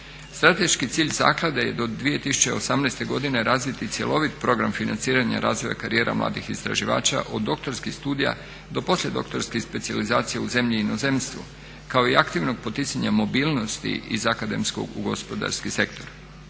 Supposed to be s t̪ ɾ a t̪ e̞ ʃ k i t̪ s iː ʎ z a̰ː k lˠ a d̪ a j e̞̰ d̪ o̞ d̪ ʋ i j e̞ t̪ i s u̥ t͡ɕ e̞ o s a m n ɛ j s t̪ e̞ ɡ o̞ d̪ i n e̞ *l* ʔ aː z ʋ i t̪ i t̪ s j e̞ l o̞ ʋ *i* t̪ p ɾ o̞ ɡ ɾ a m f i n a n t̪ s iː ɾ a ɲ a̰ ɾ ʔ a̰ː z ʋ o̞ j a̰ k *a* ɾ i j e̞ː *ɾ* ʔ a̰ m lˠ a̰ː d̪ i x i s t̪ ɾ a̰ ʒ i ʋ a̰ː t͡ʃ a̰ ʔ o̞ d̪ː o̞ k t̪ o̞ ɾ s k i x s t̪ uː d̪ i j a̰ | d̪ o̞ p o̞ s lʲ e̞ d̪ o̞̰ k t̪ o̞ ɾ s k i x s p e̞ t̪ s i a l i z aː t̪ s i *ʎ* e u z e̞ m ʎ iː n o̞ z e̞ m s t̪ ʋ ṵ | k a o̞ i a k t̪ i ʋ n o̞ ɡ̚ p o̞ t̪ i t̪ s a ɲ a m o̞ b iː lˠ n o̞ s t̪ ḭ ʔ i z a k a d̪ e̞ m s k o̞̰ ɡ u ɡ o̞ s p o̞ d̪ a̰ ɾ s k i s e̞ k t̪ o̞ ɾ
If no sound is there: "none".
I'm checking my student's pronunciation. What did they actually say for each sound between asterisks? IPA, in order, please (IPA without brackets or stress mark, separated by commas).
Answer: ɾ, i, a, ɾ, j